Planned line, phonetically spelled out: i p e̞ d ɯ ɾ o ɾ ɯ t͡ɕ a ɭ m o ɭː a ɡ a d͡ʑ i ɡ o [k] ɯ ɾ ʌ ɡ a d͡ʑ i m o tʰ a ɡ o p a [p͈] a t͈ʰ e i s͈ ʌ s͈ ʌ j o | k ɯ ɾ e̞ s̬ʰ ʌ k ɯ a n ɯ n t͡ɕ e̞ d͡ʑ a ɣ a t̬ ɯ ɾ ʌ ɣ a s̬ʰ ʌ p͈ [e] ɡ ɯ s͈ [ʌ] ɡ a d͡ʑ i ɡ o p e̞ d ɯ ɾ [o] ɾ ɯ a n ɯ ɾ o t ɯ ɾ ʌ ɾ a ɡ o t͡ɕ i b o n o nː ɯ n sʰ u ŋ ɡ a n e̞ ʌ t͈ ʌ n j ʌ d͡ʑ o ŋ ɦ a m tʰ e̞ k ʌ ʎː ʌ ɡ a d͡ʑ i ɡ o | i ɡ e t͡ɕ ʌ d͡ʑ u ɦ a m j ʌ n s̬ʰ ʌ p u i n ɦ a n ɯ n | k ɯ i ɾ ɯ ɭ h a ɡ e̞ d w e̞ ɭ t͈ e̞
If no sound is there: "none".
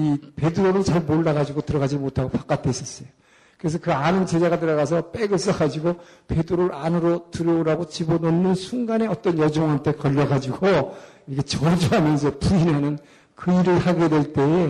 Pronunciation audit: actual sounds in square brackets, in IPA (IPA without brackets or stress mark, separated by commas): t, k͈, e, ʌ, o